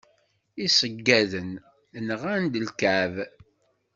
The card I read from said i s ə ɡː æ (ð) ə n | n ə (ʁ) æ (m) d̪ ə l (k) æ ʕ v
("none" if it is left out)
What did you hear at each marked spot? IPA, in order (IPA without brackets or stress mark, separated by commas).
ð, ʁ, n, k